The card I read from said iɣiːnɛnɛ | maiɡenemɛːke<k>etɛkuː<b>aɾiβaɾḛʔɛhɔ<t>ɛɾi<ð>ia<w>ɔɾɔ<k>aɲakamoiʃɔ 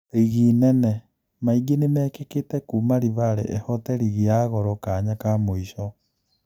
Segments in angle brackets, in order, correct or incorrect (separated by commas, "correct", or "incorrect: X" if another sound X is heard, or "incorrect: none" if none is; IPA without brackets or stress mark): correct, incorrect: m, correct, incorrect: ɣ, incorrect: ɣ, correct